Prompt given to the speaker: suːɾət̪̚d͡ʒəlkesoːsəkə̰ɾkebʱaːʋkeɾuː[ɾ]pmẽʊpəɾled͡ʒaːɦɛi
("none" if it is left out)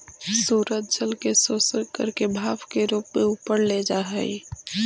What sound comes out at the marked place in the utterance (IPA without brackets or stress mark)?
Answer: none